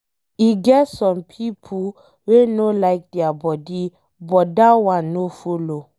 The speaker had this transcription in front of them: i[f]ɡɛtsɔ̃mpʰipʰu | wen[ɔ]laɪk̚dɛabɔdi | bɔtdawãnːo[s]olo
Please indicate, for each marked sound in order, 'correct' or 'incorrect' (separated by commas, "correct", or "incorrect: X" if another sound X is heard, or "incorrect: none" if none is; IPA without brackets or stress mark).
incorrect: none, incorrect: o, incorrect: f